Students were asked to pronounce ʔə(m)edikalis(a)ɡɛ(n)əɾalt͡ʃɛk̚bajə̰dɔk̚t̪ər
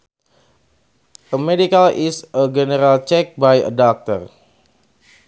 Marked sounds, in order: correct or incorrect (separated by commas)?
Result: correct, incorrect, correct